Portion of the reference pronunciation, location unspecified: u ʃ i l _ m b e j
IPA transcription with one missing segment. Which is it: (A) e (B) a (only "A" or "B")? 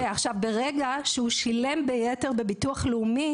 A